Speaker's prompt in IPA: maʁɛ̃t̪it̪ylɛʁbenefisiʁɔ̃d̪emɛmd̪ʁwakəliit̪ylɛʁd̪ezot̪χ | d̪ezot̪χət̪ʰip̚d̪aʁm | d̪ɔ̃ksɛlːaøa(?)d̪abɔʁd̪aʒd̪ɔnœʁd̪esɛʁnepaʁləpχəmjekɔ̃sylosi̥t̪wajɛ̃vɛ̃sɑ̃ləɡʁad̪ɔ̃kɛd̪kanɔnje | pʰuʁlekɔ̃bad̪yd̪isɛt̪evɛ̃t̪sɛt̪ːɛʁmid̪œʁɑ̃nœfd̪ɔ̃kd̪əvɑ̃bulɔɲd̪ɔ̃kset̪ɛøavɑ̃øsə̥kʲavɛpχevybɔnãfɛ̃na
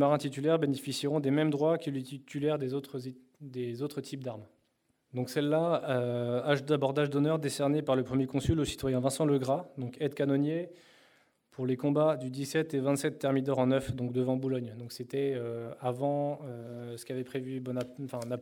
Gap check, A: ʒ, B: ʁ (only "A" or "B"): A